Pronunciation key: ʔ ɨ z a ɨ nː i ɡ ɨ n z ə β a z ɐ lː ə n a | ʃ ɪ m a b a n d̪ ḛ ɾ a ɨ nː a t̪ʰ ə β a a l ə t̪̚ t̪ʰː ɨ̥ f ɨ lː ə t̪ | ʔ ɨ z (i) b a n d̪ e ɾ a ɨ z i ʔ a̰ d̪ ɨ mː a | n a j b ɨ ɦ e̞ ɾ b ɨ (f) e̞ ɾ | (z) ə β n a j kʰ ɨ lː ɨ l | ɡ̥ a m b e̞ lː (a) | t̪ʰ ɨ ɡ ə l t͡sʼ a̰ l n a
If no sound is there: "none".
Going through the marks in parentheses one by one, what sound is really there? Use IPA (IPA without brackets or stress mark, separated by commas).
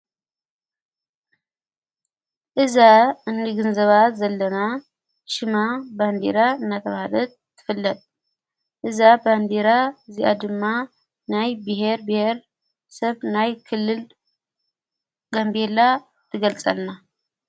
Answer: a, h, s, a